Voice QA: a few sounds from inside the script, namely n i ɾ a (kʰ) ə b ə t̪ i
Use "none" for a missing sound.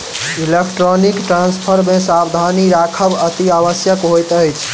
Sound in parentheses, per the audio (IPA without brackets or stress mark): kʰ